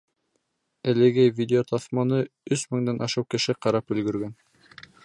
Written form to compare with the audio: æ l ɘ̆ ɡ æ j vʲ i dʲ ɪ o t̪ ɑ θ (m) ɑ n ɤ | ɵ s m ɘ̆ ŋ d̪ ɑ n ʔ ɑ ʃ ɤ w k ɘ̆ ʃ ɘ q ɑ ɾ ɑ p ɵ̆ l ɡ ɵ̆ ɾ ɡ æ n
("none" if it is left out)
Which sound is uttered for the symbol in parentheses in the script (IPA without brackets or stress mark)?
m